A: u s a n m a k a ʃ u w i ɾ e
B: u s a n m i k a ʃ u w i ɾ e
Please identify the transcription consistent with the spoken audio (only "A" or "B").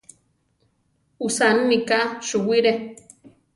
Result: B